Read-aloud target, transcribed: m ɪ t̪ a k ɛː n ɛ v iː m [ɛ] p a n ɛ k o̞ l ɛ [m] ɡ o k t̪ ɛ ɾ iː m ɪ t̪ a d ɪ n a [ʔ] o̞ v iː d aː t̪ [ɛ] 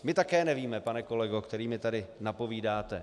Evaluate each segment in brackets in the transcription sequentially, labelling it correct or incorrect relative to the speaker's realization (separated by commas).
correct, incorrect, incorrect, correct